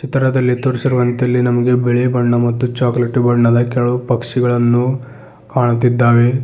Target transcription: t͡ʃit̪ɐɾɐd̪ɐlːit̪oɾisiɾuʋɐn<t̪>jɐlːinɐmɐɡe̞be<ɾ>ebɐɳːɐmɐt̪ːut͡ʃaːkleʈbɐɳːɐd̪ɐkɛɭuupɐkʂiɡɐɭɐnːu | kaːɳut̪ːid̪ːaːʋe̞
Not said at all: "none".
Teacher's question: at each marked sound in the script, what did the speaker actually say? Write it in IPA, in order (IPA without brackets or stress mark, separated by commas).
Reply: t̪, ɭ